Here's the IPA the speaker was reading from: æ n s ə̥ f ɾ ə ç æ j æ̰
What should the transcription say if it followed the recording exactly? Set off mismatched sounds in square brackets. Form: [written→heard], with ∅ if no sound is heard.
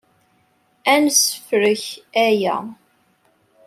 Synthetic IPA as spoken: æ n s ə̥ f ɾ ə ç æ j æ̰